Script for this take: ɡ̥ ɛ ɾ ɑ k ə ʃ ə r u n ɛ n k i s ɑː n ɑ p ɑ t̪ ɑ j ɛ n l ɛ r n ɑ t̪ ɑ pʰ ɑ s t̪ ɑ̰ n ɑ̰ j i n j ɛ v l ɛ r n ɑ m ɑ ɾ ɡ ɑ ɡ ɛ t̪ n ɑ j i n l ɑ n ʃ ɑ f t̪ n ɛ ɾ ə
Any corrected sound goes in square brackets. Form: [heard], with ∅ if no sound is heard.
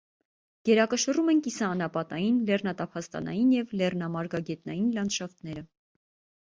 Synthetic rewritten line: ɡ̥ ɛ ɾ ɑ k ə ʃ ə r u [m] ɛ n k i s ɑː n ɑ p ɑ t̪ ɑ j [i] n l ɛ r n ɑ t̪ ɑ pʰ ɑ s t̪ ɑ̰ n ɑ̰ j i n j ɛ v l ɛ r n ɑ m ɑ ɾ ɡ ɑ ɡ ɛ t̪ n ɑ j i n l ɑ n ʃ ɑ f t̪ n ɛ ɾ ə